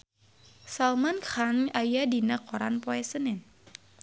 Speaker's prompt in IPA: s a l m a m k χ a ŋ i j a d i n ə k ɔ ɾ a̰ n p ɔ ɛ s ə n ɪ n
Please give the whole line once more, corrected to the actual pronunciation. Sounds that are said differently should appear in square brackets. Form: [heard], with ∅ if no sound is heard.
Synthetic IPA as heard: s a l m a [n] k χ a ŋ [a] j a d i n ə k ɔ ɾ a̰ n p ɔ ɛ s ə n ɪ n